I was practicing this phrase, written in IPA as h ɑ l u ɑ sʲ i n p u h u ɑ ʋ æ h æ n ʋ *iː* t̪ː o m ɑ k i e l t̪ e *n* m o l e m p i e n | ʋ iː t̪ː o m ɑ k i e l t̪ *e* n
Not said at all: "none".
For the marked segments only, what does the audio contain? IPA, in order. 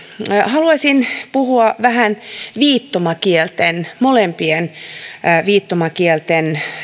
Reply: iː, n, e

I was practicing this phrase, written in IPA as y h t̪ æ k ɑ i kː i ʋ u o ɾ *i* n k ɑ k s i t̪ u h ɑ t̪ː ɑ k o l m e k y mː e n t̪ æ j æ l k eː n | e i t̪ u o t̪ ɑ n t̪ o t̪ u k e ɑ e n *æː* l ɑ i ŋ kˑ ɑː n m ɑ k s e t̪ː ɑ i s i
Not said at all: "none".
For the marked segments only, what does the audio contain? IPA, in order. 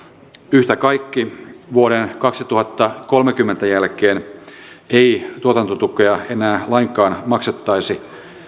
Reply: e, æː

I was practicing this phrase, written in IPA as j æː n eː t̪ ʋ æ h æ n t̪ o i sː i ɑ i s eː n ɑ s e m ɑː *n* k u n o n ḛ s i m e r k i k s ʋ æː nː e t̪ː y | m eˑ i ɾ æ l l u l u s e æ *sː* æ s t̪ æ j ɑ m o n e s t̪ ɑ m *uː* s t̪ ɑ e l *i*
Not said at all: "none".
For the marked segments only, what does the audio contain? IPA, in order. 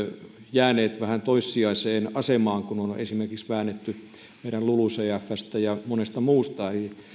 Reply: ŋ, fː, uː, i

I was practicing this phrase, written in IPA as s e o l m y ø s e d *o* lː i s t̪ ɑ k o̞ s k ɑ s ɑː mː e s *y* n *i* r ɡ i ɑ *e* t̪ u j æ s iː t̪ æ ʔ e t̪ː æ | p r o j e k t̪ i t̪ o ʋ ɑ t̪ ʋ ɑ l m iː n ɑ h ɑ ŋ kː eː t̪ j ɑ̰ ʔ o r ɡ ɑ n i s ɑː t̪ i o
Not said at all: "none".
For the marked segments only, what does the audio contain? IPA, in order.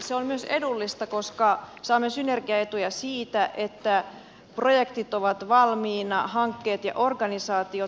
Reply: u, y, e, e

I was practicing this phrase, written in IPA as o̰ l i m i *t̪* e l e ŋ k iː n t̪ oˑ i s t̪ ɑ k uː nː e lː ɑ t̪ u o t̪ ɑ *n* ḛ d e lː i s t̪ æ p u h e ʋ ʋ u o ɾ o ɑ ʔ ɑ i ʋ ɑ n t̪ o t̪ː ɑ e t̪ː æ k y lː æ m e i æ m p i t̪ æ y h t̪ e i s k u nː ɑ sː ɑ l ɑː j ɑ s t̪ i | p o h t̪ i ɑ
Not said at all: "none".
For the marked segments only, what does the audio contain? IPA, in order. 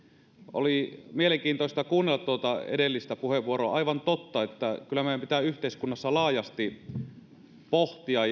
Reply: none, none

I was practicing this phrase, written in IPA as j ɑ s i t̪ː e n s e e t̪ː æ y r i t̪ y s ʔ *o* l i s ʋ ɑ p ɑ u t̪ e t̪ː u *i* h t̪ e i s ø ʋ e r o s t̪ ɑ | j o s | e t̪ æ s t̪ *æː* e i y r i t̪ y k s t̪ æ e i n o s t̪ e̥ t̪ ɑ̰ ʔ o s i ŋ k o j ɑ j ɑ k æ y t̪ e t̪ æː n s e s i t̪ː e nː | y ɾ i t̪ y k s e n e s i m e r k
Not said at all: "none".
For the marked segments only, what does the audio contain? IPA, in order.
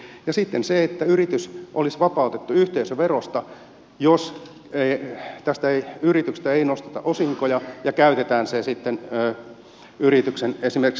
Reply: o, y, æ

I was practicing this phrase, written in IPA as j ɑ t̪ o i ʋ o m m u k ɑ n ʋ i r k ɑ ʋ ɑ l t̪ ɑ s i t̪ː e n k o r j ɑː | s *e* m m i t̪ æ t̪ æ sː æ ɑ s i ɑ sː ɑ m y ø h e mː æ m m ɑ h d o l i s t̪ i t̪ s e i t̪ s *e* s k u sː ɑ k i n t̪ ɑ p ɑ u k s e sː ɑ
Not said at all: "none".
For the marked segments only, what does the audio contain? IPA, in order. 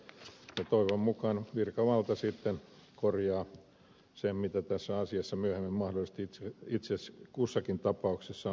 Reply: e, e

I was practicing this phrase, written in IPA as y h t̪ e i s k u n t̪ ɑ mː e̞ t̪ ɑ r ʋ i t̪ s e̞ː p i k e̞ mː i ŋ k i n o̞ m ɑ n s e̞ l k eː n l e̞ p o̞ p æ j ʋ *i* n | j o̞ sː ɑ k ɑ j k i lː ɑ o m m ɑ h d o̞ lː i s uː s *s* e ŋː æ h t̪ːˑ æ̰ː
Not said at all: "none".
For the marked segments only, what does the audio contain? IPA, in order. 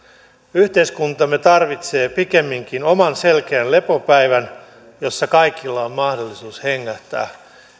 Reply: æ, h

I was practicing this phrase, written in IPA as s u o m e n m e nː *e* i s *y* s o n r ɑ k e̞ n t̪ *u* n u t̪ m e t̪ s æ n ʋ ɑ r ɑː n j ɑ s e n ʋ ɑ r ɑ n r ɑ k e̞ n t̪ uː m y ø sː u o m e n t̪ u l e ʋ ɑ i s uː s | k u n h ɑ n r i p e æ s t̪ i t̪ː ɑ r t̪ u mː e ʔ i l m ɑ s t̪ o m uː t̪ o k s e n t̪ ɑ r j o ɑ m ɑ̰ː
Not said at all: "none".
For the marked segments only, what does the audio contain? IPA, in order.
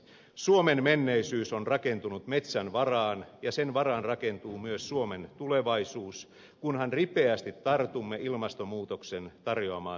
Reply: e, yː, u

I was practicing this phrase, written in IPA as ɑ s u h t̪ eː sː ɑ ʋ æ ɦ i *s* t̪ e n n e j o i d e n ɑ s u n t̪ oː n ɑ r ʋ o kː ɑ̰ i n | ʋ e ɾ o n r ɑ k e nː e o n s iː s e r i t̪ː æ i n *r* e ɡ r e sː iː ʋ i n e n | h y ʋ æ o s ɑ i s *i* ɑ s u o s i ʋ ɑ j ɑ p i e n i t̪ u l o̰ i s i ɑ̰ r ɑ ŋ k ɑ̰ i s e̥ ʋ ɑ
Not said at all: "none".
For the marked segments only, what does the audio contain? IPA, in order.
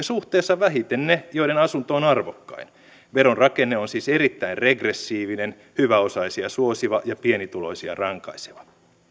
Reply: none, r, i

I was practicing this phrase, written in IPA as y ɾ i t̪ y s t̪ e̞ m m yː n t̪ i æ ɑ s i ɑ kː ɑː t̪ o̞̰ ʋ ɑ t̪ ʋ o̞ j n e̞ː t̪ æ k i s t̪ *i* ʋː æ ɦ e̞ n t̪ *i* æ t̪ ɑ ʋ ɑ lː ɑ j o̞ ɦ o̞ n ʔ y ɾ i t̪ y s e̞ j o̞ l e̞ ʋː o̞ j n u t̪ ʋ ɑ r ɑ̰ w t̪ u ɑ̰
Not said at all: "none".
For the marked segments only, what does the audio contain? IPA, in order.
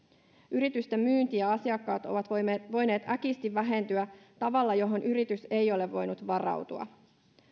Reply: i, y

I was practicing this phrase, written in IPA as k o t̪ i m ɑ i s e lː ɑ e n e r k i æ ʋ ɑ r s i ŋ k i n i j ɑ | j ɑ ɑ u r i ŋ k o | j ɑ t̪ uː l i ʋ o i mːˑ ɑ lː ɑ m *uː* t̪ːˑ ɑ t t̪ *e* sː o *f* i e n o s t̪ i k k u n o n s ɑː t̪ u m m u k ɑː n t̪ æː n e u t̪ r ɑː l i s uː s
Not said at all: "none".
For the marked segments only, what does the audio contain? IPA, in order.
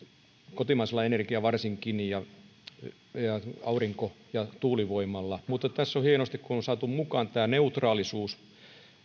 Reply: u, æ, h

